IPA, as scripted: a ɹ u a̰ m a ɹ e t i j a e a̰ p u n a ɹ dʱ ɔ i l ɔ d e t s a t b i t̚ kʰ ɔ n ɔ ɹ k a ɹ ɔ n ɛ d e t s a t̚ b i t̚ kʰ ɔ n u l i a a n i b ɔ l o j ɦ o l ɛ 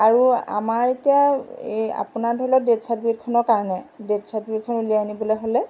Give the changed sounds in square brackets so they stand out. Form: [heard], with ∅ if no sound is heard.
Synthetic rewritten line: a ɹ u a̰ m a ɹ e t i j a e a̰ p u n a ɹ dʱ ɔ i l ɔ d e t s a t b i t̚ kʰ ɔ n ɔ ɹ k a ɹ ɔ n ɛ d e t s a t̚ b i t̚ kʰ ɔ n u l i a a n i b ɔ l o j ɦ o l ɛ